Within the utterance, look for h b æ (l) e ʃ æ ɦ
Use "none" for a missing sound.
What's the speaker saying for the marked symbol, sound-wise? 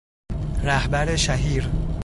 ɾ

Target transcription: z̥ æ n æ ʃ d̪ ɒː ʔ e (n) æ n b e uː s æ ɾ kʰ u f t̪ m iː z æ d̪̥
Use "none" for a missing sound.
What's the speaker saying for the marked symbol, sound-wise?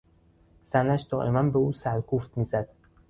m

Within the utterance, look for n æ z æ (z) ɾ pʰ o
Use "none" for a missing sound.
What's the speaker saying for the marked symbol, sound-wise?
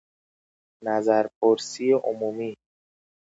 none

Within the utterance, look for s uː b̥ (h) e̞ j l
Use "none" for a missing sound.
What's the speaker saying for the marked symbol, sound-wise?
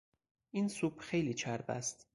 x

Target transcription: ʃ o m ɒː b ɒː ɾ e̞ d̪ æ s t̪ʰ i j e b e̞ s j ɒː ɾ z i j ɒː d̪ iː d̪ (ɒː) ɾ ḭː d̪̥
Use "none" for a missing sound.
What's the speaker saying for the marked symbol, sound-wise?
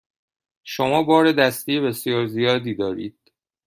ɒː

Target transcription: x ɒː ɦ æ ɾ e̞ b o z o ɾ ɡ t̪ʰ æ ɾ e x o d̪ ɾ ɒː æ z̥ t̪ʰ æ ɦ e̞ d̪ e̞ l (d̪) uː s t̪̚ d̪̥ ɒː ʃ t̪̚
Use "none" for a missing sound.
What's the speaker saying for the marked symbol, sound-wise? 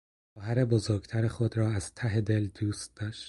d̪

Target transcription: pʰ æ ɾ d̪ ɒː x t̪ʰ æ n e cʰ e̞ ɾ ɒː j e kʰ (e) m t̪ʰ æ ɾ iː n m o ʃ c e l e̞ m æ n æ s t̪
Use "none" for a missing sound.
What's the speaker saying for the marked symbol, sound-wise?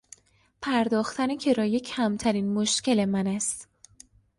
æ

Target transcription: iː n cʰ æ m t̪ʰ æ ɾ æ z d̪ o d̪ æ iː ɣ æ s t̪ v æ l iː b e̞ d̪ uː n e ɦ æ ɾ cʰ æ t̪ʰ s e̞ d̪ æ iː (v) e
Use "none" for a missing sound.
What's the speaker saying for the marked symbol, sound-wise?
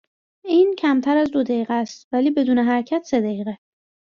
ɣ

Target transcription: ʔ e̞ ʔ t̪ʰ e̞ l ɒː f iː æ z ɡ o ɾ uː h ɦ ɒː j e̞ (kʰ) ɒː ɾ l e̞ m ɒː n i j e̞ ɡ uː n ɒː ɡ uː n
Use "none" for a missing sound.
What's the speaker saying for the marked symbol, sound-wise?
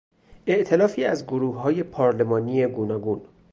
pʰ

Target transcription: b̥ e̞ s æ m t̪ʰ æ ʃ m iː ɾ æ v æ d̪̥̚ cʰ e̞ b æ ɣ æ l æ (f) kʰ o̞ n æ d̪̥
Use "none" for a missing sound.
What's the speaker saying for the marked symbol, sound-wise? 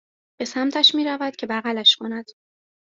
ʃ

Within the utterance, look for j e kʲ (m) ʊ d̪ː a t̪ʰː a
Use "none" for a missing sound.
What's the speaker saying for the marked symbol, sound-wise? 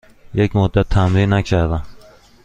m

